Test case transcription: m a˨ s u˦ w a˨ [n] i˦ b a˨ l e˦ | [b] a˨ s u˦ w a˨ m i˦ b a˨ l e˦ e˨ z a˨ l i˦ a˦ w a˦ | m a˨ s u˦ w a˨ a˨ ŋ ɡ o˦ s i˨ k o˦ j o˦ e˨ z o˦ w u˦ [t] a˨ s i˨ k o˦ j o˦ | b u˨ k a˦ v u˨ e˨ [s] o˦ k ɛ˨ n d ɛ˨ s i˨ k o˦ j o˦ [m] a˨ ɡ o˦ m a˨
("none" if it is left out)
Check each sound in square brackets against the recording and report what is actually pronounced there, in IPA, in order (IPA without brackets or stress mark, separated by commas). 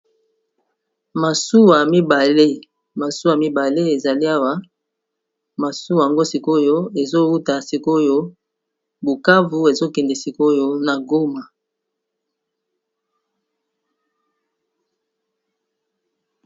m, m, t, z, n